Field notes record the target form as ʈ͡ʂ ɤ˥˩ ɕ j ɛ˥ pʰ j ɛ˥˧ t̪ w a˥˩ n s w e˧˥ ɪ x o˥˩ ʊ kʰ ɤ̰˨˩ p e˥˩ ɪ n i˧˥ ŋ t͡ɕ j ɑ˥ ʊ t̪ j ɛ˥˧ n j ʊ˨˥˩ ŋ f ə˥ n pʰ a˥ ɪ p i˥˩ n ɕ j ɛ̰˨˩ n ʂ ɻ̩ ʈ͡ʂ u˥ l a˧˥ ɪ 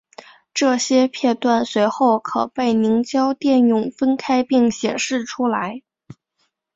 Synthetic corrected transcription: ʈ͡ʂ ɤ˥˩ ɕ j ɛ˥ pʰ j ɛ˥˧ t̪ w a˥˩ n s w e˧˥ ɪ x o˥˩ ʊ kʰ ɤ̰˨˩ p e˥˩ ɪ n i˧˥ ŋ t͡ɕ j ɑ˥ ʊ t̪ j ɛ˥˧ n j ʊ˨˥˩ ŋ f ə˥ n kʰ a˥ ɪ p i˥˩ ŋ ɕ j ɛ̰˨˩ n ʂ ɻ̩ ʈ͡ʂʰ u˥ l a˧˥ ɪ